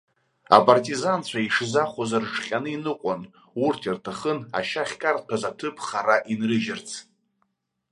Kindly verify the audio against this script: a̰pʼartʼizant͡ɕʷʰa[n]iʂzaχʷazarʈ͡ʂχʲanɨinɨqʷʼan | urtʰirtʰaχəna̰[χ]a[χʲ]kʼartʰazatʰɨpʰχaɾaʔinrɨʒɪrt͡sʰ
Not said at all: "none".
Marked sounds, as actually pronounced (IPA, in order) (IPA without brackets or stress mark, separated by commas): none, ʃ, χʲ